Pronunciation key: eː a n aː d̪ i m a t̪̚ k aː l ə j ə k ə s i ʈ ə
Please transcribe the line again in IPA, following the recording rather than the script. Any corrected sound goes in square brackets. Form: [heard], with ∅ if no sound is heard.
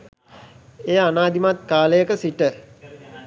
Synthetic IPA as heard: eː a n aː d̪ i m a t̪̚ k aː l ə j ə k ə s i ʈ ə